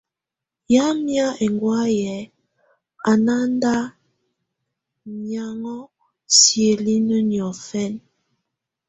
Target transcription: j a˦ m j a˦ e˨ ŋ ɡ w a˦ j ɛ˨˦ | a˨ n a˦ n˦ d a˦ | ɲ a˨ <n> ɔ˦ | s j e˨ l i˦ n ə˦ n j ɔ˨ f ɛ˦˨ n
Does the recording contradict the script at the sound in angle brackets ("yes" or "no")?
yes